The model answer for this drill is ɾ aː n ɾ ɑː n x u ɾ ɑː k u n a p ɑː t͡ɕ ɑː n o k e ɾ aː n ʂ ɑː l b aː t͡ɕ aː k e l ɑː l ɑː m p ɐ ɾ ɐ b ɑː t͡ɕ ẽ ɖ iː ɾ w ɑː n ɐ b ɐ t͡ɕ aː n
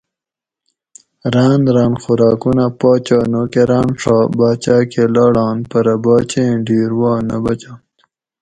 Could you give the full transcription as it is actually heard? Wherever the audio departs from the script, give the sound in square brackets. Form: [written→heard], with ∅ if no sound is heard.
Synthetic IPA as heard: ɾ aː n ɾ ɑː n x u ɾ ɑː k u n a p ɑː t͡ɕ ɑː n o k e ɾ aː n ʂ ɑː [l→∅] b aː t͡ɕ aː k e l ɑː [l→ɽ] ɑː [m→n] p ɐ ɾ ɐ b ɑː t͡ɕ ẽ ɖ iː ɾ w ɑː n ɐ b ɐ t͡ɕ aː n